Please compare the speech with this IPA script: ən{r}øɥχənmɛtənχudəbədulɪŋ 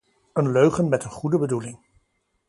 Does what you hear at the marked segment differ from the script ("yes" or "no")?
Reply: yes